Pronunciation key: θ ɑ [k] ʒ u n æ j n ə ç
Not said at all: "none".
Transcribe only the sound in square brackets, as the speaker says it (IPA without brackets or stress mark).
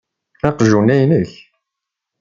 q